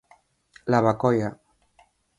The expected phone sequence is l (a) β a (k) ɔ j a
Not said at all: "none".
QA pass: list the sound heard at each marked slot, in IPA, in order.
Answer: a, k

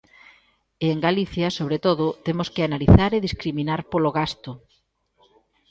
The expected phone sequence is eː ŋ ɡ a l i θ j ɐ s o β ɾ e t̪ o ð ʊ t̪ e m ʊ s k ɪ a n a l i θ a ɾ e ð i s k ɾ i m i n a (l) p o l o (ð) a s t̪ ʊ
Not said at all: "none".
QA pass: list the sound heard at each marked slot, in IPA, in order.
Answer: ɾ, ɣ

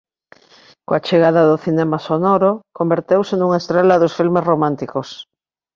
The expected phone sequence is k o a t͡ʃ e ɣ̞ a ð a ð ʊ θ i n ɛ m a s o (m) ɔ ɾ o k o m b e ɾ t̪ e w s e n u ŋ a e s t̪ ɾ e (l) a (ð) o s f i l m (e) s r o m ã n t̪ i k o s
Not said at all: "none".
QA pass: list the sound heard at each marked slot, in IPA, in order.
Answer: n, l, ð, e

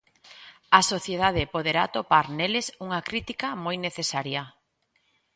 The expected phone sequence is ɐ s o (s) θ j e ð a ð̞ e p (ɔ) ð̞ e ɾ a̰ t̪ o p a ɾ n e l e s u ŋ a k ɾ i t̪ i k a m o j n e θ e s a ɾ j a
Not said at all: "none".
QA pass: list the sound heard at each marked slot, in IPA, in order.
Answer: none, o

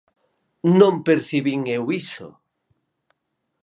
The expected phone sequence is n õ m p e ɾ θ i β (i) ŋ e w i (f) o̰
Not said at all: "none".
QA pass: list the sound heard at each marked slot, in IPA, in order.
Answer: i, s

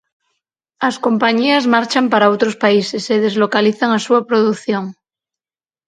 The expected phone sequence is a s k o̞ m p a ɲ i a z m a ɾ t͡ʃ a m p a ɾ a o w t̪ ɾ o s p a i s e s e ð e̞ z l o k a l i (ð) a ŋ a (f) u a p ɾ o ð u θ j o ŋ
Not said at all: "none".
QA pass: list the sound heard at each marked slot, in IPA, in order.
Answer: θ, s

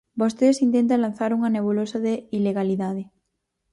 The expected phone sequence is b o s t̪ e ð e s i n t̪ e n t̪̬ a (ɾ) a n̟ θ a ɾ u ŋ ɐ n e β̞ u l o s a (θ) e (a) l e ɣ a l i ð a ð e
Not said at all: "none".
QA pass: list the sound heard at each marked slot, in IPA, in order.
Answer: l, ð, i

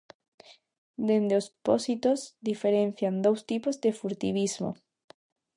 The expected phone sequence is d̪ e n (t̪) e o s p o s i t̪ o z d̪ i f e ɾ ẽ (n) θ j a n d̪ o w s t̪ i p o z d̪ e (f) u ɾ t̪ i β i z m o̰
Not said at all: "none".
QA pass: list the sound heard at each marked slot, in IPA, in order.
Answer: d̪, n, f

